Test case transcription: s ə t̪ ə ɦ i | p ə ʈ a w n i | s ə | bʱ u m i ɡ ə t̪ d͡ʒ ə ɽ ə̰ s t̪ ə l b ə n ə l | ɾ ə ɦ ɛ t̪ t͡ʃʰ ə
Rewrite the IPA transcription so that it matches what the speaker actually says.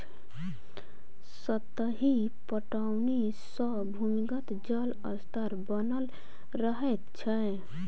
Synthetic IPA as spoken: s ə t̪ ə ɦ i | p ə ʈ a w n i | s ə | bʱ u m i ɡ ə t̪ d͡ʒ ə l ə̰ s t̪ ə ɾ b ə n ə l | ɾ ə ɦ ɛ t̪ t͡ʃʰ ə